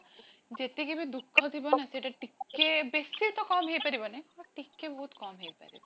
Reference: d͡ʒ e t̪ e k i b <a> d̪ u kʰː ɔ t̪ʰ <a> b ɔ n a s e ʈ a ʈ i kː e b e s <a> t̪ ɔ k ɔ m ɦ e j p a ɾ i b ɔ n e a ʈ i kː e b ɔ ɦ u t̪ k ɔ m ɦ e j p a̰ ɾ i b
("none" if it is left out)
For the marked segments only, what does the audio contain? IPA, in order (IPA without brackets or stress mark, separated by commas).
i, i, i